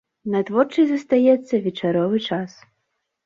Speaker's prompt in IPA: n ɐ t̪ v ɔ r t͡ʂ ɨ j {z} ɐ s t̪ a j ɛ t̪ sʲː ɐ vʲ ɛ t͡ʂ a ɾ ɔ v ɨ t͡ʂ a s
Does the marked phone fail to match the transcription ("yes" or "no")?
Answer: no